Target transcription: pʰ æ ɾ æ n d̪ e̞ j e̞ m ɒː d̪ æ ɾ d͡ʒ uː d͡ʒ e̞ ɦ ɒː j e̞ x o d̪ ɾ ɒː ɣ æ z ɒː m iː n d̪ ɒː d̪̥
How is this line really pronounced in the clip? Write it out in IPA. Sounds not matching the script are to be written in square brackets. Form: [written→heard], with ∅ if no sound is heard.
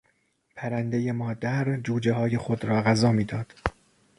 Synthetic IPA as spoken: pʰ æ ɾ æ n d̪ e̞ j e̞ m ɒː d̪ æ ɾ d͡ʒ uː d͡ʒ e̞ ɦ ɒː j e̞ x o d̪ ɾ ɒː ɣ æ z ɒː m iː [n→∅] d̪ ɒː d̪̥